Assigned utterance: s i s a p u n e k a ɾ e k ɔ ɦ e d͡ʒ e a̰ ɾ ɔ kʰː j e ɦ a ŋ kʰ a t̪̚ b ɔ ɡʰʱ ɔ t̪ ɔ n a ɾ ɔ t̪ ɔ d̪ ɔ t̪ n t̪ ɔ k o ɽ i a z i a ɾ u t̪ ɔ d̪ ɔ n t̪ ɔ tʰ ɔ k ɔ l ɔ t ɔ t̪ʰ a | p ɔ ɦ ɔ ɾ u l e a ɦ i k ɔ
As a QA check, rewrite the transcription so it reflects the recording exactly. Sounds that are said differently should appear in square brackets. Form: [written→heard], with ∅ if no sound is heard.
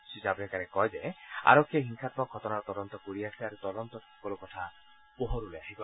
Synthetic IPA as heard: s i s a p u n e k a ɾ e k ɔ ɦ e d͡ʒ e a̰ ɾ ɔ kʰː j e ɦ [a→i] ŋ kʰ a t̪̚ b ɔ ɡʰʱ ɔ t̪ ɔ n a ɾ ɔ t̪ ɔ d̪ ɔ [t̪→∅] n t̪ ɔ k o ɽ i a [z→s] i a ɾ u t̪ ɔ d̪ ɔ n t̪ ɔ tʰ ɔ k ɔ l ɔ [t→k] ɔ t̪ʰ a | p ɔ ɦ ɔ ɾ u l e a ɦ i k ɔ